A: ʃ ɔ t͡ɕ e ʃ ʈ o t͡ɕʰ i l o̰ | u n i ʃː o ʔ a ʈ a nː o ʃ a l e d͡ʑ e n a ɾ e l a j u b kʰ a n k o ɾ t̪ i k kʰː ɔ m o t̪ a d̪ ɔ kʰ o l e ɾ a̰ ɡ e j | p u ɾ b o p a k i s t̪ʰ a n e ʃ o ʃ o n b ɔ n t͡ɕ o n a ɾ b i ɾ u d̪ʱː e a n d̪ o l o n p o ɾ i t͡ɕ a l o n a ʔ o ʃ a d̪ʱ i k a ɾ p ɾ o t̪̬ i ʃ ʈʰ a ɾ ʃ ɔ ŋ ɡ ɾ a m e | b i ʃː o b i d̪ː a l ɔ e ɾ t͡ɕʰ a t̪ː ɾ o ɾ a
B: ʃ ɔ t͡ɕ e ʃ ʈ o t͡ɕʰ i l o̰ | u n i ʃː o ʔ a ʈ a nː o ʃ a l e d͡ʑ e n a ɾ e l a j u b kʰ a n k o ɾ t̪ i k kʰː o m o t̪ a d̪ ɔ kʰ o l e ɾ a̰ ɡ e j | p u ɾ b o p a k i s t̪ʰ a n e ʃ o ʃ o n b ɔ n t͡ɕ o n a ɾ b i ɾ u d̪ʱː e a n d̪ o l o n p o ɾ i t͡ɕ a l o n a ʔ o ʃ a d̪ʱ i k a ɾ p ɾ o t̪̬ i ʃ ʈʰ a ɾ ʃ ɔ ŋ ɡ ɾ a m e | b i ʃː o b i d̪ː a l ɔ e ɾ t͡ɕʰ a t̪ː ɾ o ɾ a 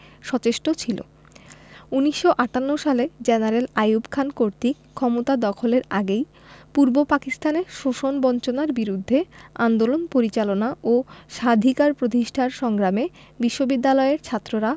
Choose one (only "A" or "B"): A